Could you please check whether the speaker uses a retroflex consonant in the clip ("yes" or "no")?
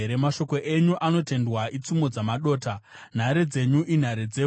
no